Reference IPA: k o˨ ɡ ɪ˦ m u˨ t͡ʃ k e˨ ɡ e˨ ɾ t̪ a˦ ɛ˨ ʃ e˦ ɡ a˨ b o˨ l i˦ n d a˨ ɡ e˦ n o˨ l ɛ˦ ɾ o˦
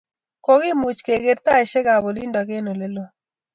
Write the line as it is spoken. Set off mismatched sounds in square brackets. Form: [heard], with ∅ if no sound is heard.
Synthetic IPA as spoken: k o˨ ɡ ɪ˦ m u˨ t͡ʃ k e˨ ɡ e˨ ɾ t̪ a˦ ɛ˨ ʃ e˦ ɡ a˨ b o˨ l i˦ n d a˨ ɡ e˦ n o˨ l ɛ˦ [l] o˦